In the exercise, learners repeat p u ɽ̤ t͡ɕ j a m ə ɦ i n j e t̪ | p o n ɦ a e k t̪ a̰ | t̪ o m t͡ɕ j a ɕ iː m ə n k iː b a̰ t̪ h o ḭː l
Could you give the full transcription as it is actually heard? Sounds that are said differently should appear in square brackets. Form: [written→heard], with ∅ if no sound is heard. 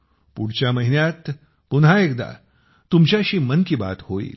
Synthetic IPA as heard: p u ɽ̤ t͡ɕ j a m ə ɦ i n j [e→a] t̪ | p [o→u] n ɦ a e k [t̪→d̪] a̰ | t̪ [o→u] m t͡ɕ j a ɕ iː m ə n k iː b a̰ t̪ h o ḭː l